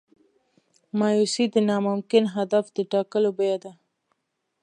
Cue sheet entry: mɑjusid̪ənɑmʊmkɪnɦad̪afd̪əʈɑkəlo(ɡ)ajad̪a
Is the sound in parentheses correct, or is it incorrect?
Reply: incorrect